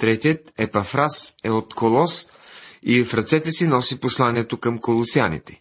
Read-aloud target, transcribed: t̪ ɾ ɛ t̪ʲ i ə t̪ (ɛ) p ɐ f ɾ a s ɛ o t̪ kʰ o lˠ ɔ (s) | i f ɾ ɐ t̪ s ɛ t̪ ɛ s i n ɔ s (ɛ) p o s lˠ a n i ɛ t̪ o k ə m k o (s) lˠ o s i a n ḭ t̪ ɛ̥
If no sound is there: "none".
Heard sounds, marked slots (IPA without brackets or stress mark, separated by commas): ɛ, s, i, none